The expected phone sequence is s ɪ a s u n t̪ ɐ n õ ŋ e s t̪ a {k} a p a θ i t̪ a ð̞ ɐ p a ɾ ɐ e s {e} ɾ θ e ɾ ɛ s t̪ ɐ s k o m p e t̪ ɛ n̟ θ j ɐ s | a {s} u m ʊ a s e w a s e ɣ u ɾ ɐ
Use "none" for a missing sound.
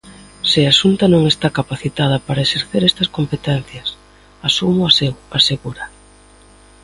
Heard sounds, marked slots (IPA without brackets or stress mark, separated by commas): k, e, s